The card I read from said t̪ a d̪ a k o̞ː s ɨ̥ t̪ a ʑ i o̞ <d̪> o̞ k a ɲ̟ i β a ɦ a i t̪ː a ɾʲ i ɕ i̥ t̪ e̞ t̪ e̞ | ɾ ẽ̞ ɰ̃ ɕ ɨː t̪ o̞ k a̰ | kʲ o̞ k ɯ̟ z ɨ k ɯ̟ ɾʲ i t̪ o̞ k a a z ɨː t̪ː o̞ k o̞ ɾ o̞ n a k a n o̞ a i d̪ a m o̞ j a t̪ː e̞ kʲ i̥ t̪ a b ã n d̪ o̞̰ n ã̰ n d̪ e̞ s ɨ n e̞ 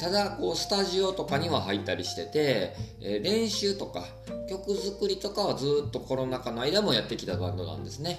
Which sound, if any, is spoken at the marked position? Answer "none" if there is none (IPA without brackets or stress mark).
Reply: t̪